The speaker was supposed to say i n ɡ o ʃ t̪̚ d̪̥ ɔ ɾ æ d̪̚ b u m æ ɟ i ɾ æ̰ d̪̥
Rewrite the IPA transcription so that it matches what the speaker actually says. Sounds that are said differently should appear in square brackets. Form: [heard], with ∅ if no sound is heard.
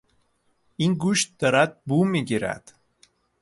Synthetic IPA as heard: i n ɡ [u] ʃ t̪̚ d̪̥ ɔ ɾ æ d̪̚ b u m [i] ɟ i ɾ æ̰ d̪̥